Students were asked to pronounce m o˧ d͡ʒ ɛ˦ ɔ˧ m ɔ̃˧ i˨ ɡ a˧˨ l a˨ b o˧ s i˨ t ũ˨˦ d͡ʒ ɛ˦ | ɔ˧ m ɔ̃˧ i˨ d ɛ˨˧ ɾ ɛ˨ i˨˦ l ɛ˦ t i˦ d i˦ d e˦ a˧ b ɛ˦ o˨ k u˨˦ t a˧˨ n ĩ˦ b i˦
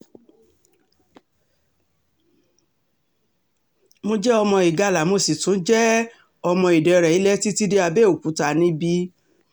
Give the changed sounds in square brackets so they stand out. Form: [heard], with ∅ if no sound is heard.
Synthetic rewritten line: m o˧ d͡ʒ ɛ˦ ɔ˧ m ɔ̃˧ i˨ ɡ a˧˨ l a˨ [m] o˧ s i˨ t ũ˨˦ d͡ʒ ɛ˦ | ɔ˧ m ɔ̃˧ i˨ d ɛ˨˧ ɾ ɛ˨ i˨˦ l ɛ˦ t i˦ [t] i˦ d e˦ a˧ b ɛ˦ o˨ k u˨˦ t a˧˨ n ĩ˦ b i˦